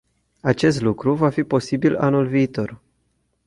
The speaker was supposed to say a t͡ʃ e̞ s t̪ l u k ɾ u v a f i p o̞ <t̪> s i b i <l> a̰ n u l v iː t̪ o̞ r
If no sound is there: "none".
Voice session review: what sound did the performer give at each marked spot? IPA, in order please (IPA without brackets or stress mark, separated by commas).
none, l